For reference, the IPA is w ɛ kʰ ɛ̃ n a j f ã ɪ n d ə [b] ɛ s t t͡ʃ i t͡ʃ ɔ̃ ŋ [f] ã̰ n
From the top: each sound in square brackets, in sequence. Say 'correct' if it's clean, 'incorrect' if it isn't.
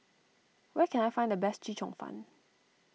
correct, correct

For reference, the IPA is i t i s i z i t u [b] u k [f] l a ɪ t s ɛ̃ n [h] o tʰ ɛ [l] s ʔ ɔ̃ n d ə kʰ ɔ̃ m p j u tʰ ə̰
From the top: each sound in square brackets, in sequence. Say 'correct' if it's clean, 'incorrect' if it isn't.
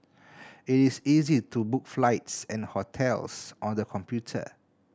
correct, correct, correct, correct

